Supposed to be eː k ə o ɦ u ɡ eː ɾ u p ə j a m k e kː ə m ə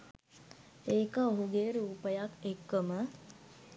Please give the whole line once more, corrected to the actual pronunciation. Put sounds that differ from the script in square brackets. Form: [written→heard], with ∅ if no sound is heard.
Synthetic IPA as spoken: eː k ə o ɦ u ɡ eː ɾ [u→uː] p ə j a [m→∅] k e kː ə m ə